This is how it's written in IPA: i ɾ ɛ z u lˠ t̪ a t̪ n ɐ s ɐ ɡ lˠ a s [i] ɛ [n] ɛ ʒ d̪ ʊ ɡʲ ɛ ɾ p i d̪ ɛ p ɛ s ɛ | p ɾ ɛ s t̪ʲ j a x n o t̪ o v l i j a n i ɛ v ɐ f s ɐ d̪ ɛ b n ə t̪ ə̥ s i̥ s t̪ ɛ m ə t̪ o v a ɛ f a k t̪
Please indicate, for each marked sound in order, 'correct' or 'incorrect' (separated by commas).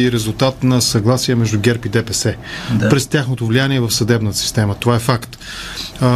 correct, incorrect